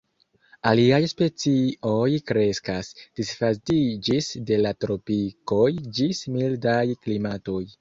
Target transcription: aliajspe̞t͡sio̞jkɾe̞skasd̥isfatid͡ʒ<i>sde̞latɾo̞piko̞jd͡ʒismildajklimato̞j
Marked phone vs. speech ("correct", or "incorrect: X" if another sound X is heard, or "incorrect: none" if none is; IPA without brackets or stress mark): correct